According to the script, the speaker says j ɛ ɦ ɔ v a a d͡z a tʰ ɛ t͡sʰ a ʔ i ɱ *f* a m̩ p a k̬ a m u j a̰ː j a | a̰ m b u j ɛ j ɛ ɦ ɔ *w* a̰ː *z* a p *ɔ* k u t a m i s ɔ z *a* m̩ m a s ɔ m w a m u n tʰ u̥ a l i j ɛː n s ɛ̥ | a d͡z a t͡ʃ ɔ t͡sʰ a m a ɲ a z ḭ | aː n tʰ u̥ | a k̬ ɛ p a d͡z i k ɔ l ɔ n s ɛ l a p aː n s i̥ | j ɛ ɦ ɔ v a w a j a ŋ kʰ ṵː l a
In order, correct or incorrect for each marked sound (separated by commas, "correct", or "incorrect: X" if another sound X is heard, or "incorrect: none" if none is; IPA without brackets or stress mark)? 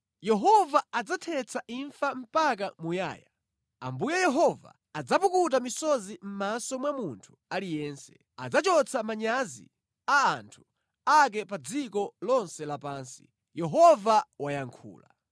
correct, incorrect: v, incorrect: d͡z, incorrect: u, incorrect: i